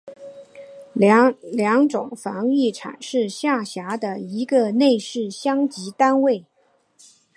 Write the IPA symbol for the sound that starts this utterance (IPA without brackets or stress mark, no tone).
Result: l